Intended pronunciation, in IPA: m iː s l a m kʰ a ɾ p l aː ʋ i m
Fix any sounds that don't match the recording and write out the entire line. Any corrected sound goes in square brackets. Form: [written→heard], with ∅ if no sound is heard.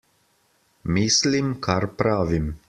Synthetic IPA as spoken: m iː s l [a→i] m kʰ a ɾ p [l→ɾ] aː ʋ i m